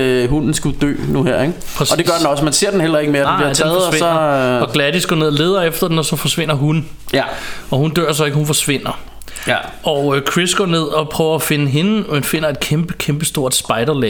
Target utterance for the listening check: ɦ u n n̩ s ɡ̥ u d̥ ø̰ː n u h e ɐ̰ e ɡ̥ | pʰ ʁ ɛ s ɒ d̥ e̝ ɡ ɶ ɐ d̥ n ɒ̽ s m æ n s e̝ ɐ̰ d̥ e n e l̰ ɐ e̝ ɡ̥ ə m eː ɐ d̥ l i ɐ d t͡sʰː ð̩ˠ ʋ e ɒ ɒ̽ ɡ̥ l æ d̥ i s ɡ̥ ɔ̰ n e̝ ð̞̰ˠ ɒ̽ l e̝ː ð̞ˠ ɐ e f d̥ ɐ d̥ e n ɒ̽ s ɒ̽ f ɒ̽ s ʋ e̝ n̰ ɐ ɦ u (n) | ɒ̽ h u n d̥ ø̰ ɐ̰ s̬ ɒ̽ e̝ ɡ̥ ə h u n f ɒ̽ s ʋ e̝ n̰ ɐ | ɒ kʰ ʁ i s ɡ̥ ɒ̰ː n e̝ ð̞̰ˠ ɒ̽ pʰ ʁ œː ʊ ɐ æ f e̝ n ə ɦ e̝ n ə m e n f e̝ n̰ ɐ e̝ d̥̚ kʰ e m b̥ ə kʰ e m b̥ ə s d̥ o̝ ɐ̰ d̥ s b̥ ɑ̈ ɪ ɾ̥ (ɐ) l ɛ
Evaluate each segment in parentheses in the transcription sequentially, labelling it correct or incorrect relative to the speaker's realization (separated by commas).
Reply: correct, correct